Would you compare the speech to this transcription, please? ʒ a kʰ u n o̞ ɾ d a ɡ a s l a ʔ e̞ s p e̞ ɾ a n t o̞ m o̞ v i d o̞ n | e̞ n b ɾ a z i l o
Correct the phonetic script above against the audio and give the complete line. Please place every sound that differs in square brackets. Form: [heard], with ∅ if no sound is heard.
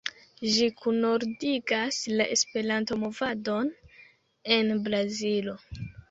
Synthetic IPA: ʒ [i] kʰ u n o̞ ɾ d [i] ɡ a s l a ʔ e̞ s p e̞ ɾ a n t o̞ m o̞ v [a] d o̞ n | e̞ n b ɾ a z i l o

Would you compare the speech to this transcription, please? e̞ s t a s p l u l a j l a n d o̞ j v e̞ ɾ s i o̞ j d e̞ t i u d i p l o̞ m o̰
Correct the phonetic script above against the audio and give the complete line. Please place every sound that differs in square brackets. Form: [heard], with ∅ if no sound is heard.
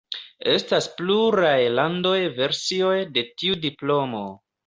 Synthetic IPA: e̞ s t a s p l u [ɾ] a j l a n d o̞ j v e̞ ɾ s i o̞ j d e̞ t i u d i p l o̞ m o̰

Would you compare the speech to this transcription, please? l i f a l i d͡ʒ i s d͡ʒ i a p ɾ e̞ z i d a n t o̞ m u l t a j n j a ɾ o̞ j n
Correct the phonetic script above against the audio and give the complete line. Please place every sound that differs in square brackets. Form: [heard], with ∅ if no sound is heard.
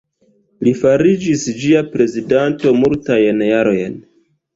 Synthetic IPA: l i f a [ɾ] i d͡ʒ i s d͡ʒ i a p ɾ e̞ z i d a n t o̞ m u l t a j n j a ɾ o̞ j n

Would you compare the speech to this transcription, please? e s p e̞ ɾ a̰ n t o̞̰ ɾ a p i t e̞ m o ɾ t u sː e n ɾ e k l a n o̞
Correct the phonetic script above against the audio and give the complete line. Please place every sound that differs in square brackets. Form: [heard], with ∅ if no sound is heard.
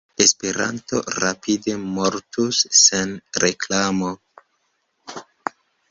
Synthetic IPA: e s p e̞ ɾ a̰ n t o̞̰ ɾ a p i [d] e̞ m o ɾ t u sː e n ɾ e k l a [m] o̞

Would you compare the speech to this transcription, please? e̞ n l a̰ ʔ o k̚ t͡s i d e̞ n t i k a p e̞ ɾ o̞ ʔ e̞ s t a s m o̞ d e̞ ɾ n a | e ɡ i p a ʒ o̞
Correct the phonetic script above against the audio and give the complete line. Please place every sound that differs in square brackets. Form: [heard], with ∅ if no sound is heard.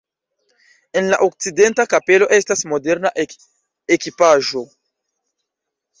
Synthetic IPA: e̞ n l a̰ ʔ o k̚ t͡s i d e̞ n t [a] k a p e̞ [l] o̞ ʔ e̞ s t a s m o̞ d e̞ ɾ n a | e [k] i p a ʒ o̞

